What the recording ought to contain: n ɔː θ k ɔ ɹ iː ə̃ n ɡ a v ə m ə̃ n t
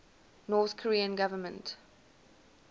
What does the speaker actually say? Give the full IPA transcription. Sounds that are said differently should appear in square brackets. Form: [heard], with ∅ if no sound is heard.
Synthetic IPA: n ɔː θ [kʰ] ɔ ɹ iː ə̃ n ɡ a v ə m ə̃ n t